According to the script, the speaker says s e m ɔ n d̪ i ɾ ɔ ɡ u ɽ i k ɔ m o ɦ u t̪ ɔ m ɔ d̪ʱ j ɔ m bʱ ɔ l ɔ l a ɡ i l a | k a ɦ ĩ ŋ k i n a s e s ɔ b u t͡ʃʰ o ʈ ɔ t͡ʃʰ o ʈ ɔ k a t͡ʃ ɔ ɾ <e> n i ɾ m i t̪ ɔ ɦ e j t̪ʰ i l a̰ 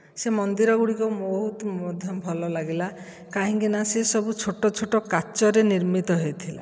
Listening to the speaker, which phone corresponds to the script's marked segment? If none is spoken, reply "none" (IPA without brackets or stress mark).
e